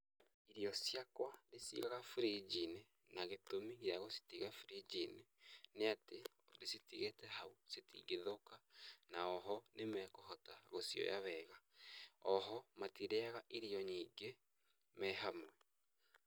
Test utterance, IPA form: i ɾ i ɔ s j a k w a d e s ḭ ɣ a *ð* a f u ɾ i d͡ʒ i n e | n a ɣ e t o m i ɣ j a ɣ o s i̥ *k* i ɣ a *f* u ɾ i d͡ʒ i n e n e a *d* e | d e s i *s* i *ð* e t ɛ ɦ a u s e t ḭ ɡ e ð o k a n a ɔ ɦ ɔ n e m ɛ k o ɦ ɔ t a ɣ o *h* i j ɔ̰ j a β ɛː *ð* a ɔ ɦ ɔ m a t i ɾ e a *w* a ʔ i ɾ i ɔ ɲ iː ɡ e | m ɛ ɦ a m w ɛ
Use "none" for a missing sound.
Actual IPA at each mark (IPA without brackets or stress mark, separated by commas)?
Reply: ɣ, t, f, t, t, ɣ, s, ɣ, ɣ